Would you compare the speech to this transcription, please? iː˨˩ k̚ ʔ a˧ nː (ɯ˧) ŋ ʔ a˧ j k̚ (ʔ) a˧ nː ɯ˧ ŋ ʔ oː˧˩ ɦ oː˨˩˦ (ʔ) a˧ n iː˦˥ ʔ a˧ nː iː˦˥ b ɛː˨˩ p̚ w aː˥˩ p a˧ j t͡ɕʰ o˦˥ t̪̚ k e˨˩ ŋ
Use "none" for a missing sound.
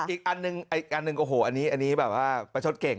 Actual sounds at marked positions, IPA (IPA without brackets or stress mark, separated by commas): ɯ˧, ʔ, ʔ